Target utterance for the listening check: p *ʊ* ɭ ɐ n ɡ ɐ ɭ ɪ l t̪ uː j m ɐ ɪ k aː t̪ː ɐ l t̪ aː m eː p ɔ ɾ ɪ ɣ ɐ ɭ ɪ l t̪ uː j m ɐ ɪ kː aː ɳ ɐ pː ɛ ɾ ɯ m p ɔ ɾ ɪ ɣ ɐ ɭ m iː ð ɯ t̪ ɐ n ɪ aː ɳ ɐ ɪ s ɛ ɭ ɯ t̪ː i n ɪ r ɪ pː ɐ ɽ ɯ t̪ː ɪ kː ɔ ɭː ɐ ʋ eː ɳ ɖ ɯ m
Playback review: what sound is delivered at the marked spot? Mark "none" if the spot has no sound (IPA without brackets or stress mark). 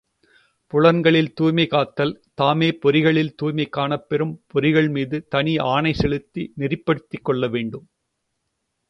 ʊ